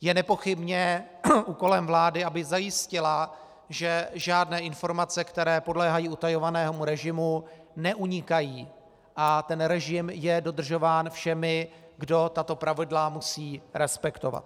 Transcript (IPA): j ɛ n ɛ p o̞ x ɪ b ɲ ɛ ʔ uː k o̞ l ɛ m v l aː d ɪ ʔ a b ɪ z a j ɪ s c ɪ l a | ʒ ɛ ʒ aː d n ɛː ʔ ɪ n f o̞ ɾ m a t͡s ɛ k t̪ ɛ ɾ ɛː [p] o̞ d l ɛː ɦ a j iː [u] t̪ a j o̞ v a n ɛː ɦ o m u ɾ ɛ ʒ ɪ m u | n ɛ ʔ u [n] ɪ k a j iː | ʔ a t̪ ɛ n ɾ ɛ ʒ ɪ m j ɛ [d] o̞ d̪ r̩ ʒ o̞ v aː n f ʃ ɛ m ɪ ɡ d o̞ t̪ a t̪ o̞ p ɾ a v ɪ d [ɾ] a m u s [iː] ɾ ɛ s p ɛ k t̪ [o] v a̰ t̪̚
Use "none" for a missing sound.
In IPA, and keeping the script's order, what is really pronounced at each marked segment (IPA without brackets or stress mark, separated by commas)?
p, u, ɲ, d, l, iː, o